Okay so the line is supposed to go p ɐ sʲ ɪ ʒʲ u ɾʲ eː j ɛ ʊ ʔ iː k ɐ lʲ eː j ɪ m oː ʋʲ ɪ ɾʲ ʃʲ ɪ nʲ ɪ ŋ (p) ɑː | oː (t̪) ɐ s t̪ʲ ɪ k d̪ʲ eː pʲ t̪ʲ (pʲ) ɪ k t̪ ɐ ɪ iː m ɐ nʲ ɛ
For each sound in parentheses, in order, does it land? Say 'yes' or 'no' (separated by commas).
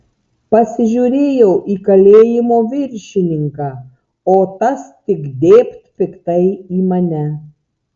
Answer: no, yes, yes